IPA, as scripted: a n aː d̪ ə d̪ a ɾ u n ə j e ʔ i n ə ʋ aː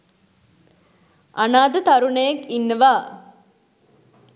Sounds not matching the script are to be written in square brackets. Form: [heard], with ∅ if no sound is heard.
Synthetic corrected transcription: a n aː d̪ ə [t̪] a ɾ u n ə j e [k] i [nː] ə ʋ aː